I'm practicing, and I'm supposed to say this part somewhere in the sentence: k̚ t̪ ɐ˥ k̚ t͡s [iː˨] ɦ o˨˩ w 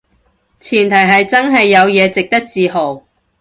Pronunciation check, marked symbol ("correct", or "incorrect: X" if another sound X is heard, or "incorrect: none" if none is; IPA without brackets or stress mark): correct